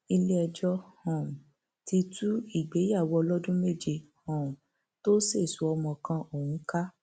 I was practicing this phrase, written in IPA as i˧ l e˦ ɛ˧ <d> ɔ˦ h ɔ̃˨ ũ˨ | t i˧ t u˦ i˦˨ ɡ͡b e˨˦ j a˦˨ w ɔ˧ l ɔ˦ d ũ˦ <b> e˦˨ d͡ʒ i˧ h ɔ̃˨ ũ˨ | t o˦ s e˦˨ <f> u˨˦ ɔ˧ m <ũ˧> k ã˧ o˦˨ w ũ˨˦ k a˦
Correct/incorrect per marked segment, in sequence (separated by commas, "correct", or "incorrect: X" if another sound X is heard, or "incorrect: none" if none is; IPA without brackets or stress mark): incorrect: d͡ʒ, incorrect: m, incorrect: s, incorrect: ɔ̃˧